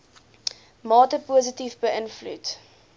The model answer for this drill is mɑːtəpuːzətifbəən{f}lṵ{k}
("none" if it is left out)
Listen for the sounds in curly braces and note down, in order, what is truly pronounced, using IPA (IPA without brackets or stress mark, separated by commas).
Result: f, t